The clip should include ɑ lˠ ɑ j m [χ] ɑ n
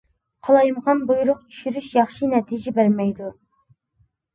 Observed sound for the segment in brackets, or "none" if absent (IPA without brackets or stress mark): ʁ